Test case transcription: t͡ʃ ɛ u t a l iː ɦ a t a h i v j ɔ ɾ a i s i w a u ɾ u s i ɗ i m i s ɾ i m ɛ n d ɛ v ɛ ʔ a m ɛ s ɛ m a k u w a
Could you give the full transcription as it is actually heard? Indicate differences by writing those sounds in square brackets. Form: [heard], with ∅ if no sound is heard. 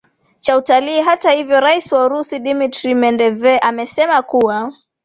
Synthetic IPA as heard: t͡ʃ [a] u t a l iː ɦ a t a h i v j ɔ ɾ a i s i w a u ɾ u s i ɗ i m i [t] ɾ i m ɛ n d ɛ v ɛ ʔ a m ɛ s ɛ m a k u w a